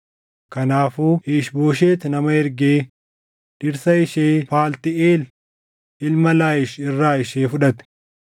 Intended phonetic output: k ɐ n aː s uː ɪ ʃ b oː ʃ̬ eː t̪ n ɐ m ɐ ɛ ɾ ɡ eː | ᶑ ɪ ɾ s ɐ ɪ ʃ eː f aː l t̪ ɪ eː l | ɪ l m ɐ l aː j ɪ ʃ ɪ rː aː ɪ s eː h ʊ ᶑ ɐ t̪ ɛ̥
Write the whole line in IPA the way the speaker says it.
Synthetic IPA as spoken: k ɐ n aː f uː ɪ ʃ b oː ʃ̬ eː t̪ n ɐ m ɐ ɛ ɾ ɡ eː | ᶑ ɪ ɾ s ɐ ɪ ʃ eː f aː l t̪ ɪ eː l | ɪ l m ɐ l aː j ɪ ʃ ɪ rː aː ɪ ʃ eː f ʊ ᶑ ɐ t̪ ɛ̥